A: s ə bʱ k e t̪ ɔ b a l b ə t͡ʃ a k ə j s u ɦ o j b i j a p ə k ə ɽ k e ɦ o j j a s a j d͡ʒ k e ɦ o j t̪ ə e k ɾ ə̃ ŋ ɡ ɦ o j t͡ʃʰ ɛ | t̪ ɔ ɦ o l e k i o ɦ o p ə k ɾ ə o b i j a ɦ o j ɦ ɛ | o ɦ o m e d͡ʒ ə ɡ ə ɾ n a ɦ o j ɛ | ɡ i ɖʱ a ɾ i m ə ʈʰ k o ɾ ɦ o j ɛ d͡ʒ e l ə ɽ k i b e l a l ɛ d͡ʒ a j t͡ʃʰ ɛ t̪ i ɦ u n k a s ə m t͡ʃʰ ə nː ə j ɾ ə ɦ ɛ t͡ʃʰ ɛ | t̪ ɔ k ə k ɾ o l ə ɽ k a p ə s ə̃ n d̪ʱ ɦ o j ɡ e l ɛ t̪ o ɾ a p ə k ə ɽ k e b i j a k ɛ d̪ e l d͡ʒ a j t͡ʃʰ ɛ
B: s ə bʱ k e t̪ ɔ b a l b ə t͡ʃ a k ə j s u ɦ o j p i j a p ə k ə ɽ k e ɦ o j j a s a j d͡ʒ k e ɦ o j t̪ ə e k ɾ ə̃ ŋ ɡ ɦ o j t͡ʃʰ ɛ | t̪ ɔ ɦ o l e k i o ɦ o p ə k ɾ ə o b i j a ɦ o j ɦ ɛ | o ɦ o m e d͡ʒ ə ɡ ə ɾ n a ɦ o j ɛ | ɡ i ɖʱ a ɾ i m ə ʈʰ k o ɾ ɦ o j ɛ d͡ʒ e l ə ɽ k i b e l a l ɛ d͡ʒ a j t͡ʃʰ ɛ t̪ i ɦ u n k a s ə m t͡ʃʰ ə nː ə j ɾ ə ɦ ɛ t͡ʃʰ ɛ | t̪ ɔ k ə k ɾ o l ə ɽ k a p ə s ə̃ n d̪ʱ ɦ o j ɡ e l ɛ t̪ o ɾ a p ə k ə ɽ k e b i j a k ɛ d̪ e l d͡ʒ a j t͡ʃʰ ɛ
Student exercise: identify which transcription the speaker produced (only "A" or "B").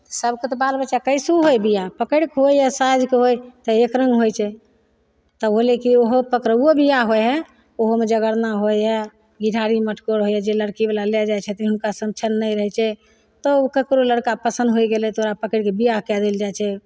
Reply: A